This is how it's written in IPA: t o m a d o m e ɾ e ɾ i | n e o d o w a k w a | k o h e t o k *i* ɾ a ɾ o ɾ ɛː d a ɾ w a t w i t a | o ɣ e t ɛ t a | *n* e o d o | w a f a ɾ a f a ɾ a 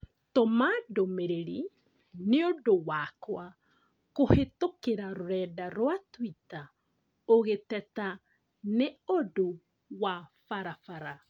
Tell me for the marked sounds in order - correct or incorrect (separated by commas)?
incorrect, correct